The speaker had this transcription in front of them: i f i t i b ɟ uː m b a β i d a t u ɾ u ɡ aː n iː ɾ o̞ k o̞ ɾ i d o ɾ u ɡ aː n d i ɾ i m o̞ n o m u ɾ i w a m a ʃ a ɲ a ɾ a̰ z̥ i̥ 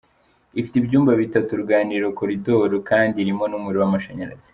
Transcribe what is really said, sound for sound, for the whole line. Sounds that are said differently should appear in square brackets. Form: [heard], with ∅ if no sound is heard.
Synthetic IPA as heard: i f i t i b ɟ uː m b a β i [t] a t u ɾ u ɡ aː n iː ɾ o̞ k o̞ ɾ i d o ɾ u [k] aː n d i ɾ i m o̞ n [u] m u ɾ i w a m a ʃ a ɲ a ɾ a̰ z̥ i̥